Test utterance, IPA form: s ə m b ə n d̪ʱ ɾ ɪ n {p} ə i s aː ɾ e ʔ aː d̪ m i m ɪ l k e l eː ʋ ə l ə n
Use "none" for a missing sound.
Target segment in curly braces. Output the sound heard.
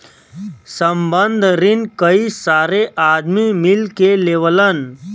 k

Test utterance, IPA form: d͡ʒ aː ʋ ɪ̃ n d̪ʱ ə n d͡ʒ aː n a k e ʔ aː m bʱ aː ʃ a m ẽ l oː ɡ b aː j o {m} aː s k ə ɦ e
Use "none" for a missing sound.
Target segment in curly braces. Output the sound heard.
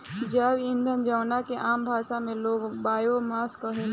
m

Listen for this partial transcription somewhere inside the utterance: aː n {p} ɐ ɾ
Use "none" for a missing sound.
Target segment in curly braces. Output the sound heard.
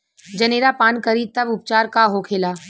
k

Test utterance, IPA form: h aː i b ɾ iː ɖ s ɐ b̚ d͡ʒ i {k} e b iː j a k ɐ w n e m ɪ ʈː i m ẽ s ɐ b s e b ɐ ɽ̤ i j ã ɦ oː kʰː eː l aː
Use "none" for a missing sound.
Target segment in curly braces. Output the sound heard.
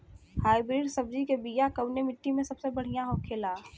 k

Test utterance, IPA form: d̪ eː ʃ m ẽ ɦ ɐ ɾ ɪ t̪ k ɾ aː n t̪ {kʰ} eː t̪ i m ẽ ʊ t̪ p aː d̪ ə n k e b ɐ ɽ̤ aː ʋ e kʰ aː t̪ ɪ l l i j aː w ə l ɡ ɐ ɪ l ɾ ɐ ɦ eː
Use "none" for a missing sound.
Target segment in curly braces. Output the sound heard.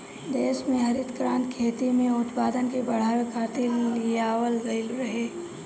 kʰ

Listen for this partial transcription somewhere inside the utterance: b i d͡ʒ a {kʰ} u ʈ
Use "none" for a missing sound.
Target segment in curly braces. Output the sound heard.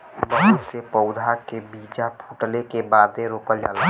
pʰ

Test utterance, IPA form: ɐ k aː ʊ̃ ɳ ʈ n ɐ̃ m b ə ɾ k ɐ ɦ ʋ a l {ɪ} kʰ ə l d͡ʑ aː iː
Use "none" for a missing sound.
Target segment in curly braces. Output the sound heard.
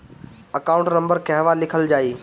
ɪ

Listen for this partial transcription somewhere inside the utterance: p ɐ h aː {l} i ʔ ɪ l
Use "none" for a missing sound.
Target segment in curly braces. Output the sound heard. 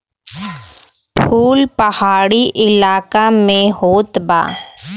ɽ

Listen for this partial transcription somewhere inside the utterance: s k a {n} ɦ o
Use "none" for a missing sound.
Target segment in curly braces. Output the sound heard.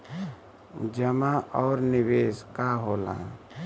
none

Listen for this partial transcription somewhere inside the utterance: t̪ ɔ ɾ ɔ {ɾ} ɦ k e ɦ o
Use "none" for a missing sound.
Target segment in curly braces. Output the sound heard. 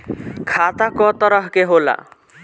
none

